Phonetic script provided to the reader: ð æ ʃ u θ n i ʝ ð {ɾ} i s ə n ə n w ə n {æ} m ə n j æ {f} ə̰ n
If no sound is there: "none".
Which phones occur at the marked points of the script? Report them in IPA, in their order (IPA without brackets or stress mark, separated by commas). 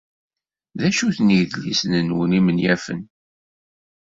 l, i, f